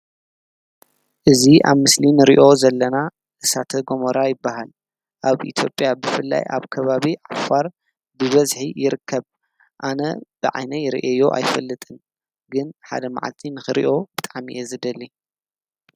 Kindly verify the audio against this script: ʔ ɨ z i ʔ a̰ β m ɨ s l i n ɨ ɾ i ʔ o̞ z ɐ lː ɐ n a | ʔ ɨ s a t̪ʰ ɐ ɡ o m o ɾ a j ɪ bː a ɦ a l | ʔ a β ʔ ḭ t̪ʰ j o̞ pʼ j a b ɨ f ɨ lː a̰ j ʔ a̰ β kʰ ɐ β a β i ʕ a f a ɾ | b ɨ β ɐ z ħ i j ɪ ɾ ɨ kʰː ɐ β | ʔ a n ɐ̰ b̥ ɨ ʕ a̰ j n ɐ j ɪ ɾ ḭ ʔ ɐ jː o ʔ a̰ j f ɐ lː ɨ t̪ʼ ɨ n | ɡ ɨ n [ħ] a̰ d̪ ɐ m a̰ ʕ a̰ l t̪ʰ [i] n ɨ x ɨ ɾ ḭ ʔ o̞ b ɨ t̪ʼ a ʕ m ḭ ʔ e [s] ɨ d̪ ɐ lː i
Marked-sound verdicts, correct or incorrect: correct, correct, incorrect

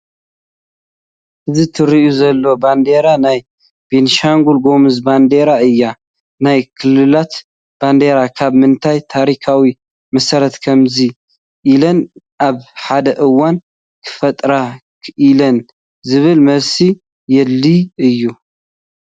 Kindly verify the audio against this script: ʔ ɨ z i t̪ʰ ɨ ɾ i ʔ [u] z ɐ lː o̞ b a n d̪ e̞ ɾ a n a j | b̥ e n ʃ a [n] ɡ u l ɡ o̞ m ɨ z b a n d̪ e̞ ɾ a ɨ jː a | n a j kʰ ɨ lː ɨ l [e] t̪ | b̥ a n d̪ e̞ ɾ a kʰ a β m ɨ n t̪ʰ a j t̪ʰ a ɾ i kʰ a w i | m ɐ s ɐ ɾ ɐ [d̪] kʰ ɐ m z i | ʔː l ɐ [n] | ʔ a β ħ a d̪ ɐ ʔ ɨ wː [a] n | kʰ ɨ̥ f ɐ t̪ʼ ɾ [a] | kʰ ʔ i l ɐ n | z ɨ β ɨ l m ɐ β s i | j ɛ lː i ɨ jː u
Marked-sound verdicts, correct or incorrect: correct, incorrect, incorrect, incorrect, correct, correct, correct

